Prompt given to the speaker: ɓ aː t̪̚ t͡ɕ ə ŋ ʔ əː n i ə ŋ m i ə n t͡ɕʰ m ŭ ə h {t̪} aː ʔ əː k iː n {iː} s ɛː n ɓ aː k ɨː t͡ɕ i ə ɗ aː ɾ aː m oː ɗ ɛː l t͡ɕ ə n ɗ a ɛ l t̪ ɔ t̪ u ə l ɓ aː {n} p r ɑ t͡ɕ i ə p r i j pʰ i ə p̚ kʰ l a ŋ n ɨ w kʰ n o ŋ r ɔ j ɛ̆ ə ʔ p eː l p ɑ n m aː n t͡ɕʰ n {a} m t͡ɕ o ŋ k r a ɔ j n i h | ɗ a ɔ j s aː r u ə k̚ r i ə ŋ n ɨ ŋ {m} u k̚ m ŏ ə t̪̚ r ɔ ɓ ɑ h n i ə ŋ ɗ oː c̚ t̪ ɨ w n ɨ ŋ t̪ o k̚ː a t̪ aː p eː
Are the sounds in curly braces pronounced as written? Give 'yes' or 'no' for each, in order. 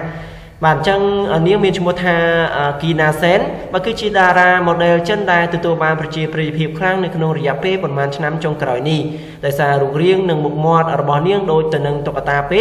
no, no, yes, yes, yes

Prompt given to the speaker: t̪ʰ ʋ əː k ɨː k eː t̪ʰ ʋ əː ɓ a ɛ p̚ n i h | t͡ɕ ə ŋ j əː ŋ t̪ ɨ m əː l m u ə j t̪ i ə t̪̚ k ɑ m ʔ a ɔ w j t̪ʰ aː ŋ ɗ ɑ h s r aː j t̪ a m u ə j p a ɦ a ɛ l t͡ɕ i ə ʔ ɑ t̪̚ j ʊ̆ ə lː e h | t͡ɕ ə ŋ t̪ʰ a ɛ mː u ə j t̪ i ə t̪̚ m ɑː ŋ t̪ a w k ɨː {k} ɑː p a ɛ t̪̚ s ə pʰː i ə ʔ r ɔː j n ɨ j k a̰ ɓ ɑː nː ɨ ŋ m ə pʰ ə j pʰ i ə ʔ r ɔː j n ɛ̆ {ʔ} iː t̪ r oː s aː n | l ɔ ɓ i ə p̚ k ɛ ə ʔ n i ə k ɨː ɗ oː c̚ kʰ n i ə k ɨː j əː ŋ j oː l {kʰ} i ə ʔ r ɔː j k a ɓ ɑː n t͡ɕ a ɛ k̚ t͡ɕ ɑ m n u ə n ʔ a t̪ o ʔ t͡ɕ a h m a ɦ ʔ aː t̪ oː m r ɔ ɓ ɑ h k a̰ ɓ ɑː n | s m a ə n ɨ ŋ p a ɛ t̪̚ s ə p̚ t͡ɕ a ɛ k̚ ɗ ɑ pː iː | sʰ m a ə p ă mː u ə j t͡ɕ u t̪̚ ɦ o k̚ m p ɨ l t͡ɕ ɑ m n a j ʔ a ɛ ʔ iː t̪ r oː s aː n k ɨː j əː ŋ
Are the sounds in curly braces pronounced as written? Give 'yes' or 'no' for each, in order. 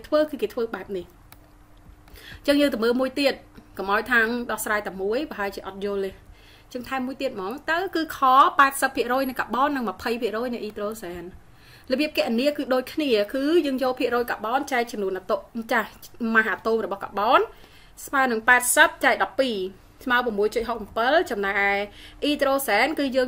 no, yes, no

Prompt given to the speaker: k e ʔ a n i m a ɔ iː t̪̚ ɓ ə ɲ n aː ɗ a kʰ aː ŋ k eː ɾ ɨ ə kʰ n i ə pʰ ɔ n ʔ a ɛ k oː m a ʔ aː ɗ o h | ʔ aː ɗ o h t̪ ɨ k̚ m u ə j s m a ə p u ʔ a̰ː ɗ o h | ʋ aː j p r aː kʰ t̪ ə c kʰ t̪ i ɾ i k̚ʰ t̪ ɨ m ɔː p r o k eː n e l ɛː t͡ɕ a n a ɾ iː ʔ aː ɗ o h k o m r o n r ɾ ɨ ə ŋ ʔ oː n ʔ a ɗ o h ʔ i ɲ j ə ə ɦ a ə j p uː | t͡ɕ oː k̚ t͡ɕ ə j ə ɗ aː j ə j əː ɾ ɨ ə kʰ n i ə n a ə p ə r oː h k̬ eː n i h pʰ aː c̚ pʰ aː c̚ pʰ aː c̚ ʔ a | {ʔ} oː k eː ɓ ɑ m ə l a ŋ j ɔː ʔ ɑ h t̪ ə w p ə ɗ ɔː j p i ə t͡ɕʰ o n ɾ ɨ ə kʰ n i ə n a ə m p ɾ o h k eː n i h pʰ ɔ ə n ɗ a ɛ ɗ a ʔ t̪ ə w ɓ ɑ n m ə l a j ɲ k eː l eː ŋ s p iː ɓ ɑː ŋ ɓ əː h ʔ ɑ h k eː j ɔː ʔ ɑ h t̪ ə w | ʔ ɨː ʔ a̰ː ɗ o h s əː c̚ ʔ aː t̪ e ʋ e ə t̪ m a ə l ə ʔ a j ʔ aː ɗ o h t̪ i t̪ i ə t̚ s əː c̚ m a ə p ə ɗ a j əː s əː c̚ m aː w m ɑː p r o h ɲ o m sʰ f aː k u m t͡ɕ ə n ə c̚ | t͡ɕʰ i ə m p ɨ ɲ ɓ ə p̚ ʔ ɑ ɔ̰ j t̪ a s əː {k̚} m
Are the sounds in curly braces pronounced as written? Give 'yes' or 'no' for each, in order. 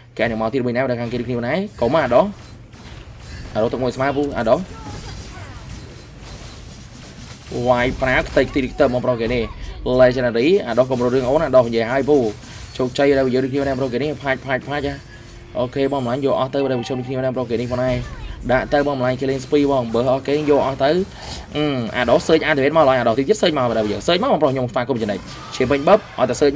yes, no

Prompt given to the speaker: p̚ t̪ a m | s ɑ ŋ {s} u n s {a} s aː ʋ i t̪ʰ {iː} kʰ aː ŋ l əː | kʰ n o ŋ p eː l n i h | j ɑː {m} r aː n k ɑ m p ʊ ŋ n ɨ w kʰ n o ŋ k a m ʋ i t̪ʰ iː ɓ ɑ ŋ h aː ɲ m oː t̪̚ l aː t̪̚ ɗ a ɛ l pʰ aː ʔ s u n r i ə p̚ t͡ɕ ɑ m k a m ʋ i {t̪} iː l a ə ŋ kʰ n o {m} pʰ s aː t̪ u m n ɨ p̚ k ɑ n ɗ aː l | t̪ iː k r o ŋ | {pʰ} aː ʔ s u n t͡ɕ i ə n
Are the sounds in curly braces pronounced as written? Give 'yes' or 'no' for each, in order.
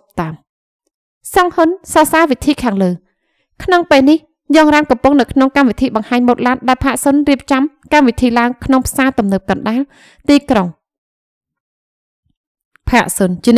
no, no, yes, no, no, no, yes

